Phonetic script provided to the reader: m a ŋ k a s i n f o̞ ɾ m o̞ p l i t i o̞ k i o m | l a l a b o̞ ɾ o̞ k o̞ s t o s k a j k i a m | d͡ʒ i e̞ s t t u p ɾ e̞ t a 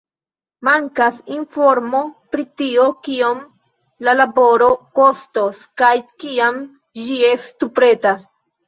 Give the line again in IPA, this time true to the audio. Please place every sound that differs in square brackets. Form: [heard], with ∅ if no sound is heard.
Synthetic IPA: m a ŋ k a s i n f o̞ ɾ m o̞ p [ɾ] i t i o̞ k i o m | l a l a b o̞ ɾ o̞ k o̞ s t o s k a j k i a m | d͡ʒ i e̞ s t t u p ɾ e̞ t a